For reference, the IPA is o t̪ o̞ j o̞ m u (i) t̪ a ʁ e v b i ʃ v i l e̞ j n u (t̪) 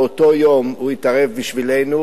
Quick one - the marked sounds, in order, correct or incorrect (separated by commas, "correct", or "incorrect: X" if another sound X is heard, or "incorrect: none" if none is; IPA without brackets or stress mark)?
correct, incorrect: none